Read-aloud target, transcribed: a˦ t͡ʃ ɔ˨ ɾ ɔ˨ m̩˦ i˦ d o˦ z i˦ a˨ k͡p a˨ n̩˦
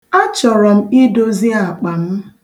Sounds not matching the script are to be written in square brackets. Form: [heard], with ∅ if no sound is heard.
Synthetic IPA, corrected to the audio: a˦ t͡ʃ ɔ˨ ɾ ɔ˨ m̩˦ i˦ d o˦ z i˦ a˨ k͡p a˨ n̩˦